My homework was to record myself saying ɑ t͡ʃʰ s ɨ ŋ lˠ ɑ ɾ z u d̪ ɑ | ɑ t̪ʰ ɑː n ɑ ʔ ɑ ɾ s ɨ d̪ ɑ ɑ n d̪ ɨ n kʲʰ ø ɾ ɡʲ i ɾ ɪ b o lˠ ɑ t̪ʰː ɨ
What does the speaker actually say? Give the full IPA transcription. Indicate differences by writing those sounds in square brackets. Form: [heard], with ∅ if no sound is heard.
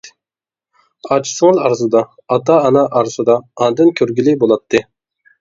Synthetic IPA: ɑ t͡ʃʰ s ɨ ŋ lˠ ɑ ɾ z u d̪ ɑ | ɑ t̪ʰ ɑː n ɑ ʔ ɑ ɾ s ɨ d̪ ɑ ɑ n d̪ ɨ n kʲʰ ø ɾ ɡʲ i [l] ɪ b o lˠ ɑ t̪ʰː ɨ